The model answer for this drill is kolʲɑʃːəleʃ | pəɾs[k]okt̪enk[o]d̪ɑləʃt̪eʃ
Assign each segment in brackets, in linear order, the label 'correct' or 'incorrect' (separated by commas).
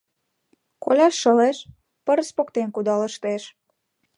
incorrect, incorrect